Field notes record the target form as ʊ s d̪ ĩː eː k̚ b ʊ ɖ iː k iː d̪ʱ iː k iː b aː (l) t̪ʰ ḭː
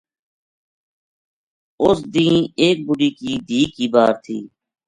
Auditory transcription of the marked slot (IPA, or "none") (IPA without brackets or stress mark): ɾ